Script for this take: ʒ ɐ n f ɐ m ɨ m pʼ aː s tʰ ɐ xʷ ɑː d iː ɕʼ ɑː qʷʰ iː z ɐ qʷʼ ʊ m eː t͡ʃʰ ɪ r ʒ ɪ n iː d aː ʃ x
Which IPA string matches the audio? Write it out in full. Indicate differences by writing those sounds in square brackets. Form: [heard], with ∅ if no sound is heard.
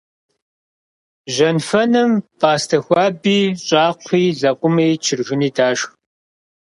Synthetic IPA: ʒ ɐ n f ɐ [n] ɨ m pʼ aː s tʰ ɐ xʷ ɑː [b] iː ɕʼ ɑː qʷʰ iː z ɐ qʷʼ ʊ m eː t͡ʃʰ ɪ r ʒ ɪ n iː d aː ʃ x